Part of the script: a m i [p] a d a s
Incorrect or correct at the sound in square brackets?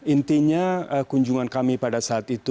correct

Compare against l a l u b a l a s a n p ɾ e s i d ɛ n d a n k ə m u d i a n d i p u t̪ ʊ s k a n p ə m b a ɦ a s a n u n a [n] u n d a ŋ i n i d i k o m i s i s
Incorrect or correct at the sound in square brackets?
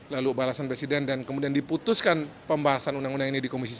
incorrect: ŋ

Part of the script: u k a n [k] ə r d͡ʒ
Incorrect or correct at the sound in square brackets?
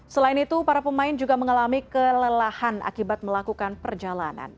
incorrect: p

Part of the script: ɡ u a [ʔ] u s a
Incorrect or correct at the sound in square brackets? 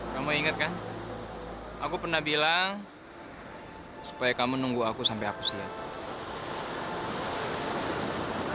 incorrect: k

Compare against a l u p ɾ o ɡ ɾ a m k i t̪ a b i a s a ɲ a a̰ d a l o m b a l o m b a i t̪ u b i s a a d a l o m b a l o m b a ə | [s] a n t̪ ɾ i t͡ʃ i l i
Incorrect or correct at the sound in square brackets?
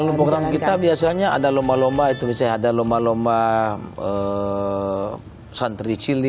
correct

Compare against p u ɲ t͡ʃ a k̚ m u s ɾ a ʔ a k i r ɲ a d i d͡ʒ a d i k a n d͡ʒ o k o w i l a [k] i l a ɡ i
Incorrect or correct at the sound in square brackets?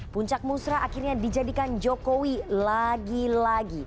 incorrect: ɡ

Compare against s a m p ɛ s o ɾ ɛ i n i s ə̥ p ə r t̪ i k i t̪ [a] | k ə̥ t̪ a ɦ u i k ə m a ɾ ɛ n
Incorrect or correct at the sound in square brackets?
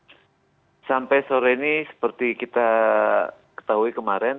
correct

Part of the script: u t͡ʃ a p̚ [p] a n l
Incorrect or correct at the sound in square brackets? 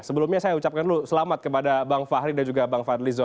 incorrect: k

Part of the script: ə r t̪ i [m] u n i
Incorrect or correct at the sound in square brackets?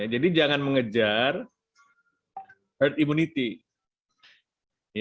correct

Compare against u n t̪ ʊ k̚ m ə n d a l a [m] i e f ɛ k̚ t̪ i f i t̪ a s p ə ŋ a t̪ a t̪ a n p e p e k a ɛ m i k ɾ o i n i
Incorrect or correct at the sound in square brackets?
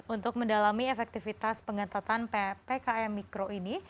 correct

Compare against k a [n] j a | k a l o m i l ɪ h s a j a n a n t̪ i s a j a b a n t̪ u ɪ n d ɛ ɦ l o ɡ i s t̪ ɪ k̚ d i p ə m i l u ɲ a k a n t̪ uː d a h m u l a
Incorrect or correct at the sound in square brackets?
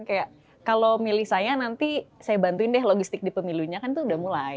incorrect: none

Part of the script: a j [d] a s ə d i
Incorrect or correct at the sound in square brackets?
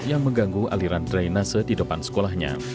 incorrect: n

